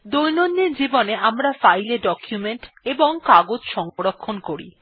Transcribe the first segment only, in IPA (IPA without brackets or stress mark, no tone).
d̪